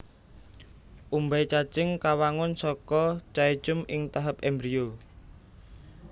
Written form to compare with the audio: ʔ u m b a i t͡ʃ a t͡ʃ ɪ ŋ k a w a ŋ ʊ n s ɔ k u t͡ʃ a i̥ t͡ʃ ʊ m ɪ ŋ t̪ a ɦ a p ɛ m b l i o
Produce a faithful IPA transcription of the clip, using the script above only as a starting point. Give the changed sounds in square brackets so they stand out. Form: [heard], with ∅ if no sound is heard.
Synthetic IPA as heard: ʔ u m b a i t͡ʃ a t͡ʃ ɪ ŋ k a w a ŋ ʊ n s ɔ k [ɔ] t͡ʃ a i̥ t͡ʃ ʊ m ɪ ŋ t̪ a ɦ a p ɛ m b [ɾ] i o